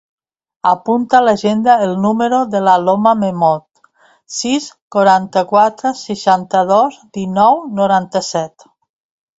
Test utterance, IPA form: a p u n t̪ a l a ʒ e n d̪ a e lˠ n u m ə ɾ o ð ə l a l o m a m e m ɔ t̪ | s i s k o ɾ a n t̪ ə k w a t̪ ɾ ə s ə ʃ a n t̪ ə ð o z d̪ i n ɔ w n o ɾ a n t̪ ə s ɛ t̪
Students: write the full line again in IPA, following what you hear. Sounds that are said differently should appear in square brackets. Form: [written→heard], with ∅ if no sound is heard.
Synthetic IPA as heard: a p u n t̪ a l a ʒ e n d̪ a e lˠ n u m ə ɾ o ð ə l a l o m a m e m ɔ t̪ | s i s k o ɾ a n t̪ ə k w a t̪ ɾ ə s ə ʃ a n t̪ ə ð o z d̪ i n ɔ w n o ɾ a n t̪ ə s ɛ t̪